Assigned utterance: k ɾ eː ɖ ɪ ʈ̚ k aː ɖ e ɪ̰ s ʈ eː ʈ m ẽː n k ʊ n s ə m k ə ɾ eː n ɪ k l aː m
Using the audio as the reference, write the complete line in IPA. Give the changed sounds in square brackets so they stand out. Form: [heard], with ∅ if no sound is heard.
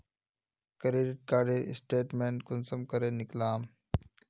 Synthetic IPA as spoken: k ɾ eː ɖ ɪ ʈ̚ k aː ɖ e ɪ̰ s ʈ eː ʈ m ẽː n k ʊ n s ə m k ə ɾ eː n ɪ k l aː m